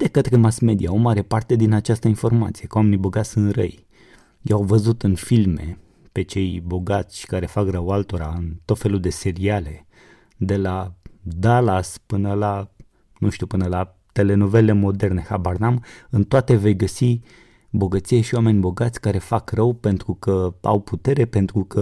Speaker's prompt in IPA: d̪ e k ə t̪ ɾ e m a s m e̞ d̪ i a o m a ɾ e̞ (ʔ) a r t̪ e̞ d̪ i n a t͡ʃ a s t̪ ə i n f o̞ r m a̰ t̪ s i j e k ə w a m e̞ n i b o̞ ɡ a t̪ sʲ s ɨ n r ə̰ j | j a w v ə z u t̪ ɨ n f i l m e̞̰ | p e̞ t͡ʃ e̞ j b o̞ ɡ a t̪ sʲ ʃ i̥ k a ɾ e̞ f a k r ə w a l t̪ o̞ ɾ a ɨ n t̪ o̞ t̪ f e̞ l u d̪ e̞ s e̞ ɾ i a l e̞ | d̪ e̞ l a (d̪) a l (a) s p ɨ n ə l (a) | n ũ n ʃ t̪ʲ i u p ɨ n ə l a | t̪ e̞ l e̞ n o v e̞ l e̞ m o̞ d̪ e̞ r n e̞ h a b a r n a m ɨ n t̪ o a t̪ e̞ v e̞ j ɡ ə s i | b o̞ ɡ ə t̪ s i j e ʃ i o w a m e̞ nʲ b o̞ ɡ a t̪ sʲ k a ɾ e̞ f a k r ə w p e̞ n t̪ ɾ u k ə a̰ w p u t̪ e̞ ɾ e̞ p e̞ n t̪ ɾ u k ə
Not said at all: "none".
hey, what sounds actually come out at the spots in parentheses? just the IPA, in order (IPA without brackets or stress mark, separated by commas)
p, d̪, a, a